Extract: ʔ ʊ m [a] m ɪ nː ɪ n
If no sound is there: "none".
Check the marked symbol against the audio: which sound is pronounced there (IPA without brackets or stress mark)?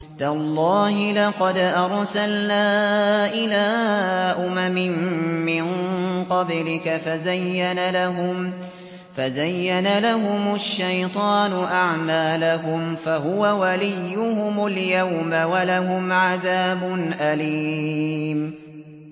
a